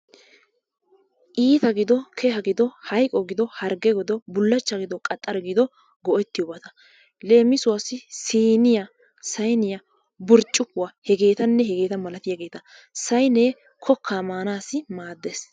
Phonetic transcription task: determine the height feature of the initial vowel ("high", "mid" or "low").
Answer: high